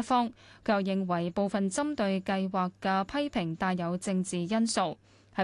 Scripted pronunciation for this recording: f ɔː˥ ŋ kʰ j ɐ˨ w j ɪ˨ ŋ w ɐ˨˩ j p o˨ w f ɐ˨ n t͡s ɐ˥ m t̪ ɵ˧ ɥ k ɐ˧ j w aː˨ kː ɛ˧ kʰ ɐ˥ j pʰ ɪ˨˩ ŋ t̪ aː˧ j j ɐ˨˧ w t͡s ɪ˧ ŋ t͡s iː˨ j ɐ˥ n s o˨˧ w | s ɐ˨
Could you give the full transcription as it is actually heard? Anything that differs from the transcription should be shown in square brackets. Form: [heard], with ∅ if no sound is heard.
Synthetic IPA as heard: f ɔː˥ ŋ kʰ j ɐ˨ w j ɪ˨ ŋ w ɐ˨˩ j p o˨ w f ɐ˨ n t͡s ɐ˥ m t̪ ɵ˧ ɥ k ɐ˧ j w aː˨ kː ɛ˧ [pʰ] ɐ˥ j pʰ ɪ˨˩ ŋ t̪ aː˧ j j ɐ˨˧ w t͡s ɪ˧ ŋ t͡s iː˨ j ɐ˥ n s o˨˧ w | [h] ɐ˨